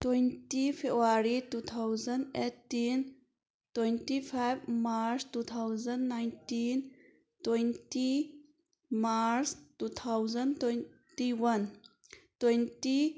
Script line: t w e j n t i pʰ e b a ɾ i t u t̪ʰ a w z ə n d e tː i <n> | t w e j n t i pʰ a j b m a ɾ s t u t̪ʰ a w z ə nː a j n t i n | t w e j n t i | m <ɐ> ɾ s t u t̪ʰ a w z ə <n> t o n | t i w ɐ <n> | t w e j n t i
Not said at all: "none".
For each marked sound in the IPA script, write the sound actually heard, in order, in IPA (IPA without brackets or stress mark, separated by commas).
n, a, n, n